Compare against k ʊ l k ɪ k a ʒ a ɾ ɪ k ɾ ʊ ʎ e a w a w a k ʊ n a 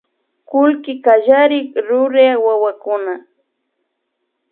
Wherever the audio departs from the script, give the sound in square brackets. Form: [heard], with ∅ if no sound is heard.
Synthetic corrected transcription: k ʊ l k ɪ k a ʒ a ɾ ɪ k ɾ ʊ [ɾ] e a w a w a k ʊ n a